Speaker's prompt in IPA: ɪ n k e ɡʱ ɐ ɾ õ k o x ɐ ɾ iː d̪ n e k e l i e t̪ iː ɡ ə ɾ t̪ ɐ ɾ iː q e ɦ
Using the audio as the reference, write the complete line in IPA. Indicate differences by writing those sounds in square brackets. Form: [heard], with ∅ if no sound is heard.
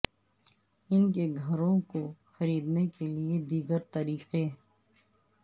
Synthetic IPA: ɪ n k e ɡʱ ɐ ɾ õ k o x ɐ ɾ iː d̪ n e k e l i e [d̪] iː ɡ ə ɾ t̪ ɐ ɾ iː q e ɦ